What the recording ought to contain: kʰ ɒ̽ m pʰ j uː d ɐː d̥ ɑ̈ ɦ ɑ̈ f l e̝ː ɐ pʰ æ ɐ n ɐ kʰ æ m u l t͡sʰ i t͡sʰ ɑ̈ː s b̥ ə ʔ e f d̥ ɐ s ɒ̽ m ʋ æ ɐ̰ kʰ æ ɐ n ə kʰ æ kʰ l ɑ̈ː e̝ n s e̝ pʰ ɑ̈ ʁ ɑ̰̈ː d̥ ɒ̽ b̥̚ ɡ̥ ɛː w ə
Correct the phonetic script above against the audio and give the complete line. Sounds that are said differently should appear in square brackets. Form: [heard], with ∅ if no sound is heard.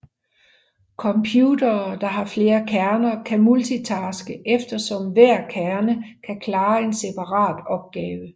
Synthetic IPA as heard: kʰ ɒ̽ m pʰ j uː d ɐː d̥ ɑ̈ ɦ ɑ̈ f l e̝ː ɐ [kʰ] æ ɐ n ɐ kʰ æ m u l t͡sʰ i t͡sʰ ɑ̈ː s [ɡ̥] ə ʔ e f d̥ ɐ s ɒ̽ m ʋ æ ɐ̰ kʰ æ ɐ n ə kʰ æ kʰ l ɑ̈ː e̝ n s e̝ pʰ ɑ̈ ʁ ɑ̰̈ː d̥ ɒ̽ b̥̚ ɡ̥ ɛː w ə